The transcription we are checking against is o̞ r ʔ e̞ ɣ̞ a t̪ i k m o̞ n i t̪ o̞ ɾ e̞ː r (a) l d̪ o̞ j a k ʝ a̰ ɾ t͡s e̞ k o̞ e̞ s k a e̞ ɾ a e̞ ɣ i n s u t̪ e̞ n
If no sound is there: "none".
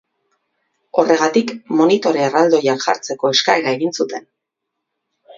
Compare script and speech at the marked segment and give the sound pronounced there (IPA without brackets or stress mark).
a